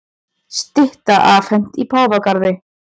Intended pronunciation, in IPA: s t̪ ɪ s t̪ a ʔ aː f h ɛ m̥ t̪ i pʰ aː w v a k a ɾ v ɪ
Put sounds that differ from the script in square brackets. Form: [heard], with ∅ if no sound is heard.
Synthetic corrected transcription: s t̪ ɪ [h] t̪ a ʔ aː f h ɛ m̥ t̪ i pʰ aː w v a k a ɾ [ð] ɪ